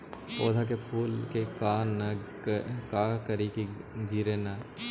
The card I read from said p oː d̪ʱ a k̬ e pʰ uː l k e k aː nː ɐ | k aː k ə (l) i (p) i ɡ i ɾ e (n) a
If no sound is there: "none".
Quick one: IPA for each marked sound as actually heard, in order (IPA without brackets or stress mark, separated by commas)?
ɾ, k, n